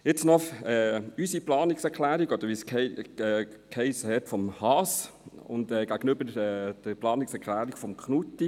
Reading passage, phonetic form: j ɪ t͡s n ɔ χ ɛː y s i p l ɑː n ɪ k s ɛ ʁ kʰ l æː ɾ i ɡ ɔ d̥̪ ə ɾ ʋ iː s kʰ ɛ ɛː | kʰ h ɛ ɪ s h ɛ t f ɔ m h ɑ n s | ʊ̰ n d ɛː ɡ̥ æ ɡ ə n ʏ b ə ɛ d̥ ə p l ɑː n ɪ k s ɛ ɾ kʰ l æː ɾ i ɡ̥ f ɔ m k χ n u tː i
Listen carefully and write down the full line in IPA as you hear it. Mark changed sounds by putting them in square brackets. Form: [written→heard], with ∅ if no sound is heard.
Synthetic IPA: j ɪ t͡s n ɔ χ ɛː y s i p l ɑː n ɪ k s ɛ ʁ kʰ l æː ɾ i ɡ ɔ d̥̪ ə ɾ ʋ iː s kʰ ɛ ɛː | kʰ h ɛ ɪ s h ɛ t f ɔ m h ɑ [n→∅] s | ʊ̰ n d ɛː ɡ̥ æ ɡ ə n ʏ b ə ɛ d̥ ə p l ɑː n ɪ k s ɛ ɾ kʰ l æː ɾ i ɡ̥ f ɔ m k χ n u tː i

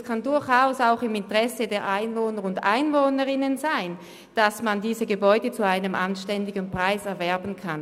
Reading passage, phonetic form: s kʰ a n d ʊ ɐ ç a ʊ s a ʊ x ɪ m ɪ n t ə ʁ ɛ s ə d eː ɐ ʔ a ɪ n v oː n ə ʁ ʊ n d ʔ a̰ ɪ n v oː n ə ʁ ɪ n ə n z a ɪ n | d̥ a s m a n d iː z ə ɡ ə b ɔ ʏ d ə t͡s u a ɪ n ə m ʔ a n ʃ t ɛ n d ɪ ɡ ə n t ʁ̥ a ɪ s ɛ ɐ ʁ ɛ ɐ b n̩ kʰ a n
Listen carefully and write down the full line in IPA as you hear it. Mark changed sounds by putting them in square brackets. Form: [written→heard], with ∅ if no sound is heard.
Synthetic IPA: s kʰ a n d ʊ ɐ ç a ʊ s a ʊ x ɪ m ɪ n t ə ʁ ɛ s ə d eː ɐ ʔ a ɪ n v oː n ə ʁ ʊ n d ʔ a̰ ɪ n v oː n ə ʁ ɪ n ə n z a ɪ n | d̥ a s m a n d iː z ə ɡ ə b ɔ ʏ d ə t͡s u a ɪ n ə m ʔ a n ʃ t ɛ n d ɪ ɡ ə n [t→p] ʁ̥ a ɪ s ɛ ɐ [ʁ→v] ɛ ɐ b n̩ kʰ a n

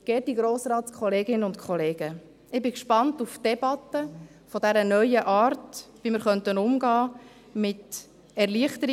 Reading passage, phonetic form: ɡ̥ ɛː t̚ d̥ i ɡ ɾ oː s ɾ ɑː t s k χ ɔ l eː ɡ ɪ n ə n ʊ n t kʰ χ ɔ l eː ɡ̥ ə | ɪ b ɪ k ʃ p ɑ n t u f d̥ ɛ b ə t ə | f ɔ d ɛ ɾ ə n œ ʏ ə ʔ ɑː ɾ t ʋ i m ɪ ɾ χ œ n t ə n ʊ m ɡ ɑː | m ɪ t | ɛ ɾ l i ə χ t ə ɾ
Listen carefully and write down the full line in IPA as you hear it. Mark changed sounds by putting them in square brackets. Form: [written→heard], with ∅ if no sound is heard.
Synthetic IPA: ɡ̥ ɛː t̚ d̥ i ɡ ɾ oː s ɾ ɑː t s k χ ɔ l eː ɡ ɪ n ə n ʊ n t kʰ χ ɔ l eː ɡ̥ ə | ɪ b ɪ k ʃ p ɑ n t u f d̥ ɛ b [ə→ɑ] t ə | f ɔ d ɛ ɾ ə n œ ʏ ə ʔ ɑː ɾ t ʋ i m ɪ ɾ χ œ n t ə n ʊ m ɡ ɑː | m ɪ t | ɛ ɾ l i ə χ t ə ɾ

